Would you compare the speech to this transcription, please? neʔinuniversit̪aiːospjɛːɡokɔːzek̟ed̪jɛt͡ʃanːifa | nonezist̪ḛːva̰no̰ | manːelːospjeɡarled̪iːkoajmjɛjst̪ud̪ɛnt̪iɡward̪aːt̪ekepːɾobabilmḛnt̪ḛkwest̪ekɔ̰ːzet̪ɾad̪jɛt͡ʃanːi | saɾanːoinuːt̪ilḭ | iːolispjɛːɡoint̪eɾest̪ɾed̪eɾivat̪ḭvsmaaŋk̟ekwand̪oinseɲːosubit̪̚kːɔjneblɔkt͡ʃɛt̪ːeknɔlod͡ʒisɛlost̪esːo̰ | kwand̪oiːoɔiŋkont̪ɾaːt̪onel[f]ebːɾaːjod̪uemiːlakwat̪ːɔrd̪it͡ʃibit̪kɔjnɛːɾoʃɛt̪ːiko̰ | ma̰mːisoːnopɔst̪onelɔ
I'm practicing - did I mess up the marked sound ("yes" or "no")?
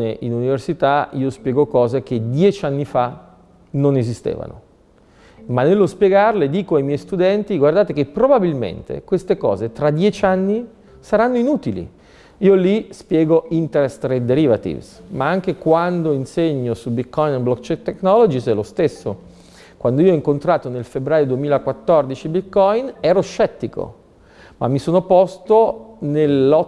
no